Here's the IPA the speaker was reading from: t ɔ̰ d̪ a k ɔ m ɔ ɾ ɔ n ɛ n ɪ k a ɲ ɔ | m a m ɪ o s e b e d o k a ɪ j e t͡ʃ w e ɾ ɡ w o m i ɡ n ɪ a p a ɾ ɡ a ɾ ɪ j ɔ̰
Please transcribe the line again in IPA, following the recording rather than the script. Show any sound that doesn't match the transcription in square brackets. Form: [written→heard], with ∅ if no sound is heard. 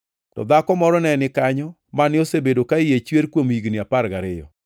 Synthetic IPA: t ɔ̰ d̪ a k ɔ m ɔ ɾ ɔ n ɛ n ɪ k a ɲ ɔ | m a [m→n] ɪ o s e b e d o k a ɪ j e t͡ʃ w e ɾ [ɡ→k] w o m i ɡ n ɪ a p a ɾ ɡ a ɾ ɪ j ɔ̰